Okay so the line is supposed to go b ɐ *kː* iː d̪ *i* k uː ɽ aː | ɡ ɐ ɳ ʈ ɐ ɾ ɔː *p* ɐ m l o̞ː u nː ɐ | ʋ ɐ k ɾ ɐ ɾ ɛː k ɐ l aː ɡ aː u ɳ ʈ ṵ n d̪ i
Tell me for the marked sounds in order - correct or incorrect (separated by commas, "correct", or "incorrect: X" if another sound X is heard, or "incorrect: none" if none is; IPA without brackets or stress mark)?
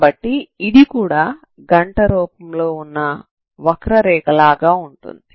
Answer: incorrect: ʈː, correct, correct